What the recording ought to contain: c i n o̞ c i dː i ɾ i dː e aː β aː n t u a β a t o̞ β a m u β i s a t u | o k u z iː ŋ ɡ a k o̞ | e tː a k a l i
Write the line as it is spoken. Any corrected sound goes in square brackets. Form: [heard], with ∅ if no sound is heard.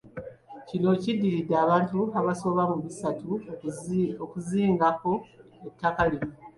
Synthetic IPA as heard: c i n o̞ c i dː i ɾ i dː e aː β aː n t u a β a [s] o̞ β a m u β i s a t u | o k u z iː ŋ ɡ a k o̞ | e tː a k a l i